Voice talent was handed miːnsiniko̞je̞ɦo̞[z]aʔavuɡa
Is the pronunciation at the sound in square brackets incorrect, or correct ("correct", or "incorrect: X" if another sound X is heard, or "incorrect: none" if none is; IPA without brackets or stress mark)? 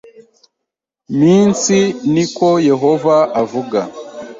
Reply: incorrect: v